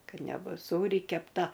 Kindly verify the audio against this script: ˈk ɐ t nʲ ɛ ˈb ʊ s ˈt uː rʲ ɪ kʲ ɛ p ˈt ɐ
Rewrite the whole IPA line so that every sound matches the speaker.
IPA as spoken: ˈk ɐ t nʲ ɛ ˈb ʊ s ˈs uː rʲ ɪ kʲ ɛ p ˈt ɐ